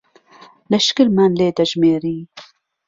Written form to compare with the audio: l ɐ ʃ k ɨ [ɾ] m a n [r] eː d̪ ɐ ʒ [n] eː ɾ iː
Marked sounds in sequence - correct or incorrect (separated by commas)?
correct, incorrect, incorrect